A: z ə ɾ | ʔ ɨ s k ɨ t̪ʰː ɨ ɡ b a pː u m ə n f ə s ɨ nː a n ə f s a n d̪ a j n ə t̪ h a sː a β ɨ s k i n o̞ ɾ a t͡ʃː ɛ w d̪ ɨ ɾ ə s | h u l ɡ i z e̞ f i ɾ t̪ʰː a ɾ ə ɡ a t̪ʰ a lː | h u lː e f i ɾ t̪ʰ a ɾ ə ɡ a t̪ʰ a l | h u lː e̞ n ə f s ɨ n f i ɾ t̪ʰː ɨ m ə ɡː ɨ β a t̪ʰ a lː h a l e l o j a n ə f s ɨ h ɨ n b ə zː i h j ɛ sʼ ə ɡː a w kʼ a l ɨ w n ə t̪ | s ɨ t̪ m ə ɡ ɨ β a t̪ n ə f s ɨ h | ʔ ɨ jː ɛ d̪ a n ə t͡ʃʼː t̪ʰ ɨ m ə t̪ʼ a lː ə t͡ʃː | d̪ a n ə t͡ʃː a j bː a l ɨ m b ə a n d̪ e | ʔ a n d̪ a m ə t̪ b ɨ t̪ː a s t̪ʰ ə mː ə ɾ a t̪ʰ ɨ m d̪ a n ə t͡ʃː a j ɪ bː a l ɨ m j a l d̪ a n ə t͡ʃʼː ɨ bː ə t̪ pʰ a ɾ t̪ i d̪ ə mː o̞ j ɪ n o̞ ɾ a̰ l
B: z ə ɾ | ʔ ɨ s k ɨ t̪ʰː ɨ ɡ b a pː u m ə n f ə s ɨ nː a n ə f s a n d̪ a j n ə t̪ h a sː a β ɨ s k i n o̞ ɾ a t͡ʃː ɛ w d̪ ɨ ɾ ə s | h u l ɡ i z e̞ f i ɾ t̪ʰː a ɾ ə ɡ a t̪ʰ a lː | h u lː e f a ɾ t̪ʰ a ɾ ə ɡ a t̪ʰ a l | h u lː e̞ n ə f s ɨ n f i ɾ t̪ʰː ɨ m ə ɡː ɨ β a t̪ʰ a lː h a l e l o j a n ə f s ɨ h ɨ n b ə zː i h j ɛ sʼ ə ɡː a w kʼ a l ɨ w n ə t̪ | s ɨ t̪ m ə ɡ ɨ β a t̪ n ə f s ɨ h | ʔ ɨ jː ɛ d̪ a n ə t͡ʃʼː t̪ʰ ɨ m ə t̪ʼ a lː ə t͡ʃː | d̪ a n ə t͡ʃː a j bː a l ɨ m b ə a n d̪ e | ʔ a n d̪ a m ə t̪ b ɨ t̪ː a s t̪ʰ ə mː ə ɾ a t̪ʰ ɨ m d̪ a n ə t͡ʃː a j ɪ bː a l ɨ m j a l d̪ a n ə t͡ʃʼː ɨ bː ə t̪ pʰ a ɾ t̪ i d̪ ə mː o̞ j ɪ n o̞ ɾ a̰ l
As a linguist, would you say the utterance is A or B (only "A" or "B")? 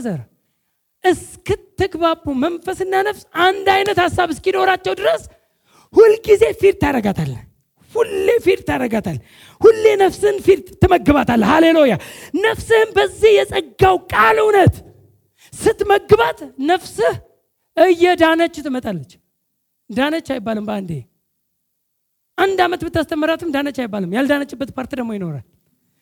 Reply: A